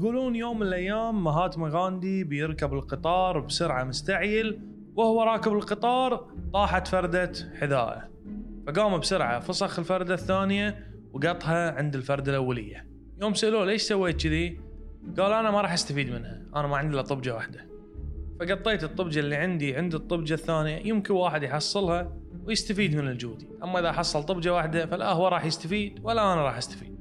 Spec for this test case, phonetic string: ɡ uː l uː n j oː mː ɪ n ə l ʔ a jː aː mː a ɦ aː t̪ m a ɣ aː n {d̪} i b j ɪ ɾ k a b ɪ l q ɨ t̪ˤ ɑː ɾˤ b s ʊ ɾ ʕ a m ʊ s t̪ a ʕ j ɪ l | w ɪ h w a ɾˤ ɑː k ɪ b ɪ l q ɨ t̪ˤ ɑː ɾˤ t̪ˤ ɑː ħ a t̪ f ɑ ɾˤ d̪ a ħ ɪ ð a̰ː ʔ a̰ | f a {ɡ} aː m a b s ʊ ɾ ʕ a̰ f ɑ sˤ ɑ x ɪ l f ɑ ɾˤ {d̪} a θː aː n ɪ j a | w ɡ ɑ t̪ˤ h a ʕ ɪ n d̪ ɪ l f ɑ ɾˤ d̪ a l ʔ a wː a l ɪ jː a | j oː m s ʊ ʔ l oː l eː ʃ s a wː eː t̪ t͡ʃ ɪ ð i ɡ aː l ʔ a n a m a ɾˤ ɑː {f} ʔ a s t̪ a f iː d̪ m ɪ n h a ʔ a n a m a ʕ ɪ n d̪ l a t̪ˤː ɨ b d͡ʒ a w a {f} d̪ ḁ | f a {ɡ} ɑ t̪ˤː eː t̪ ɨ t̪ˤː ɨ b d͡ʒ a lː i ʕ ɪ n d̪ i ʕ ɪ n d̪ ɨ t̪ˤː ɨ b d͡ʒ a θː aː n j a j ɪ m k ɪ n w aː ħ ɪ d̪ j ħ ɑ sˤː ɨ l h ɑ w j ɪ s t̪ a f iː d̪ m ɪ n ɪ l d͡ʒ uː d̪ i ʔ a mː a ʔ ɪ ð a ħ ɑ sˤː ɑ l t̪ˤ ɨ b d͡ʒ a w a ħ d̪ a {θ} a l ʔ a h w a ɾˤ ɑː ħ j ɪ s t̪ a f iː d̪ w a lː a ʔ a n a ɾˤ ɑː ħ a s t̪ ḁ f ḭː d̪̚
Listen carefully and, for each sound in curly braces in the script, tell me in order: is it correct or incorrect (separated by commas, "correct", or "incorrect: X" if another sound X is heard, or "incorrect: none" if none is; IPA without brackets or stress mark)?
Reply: correct, correct, correct, incorrect: ħ, incorrect: ħ, correct, incorrect: f